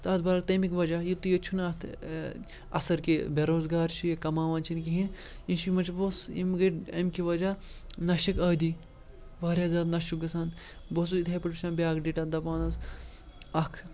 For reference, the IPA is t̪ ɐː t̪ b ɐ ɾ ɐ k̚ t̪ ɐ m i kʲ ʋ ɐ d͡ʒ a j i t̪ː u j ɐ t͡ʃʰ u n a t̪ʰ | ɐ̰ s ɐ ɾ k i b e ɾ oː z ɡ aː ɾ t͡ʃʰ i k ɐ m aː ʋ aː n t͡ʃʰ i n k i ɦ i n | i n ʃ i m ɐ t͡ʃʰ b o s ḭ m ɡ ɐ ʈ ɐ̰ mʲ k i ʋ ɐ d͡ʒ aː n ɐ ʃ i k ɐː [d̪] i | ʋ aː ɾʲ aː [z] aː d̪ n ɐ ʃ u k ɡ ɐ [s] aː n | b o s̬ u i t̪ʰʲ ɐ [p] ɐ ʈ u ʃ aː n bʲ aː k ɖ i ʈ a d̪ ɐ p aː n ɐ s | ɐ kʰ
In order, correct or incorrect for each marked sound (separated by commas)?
correct, correct, correct, correct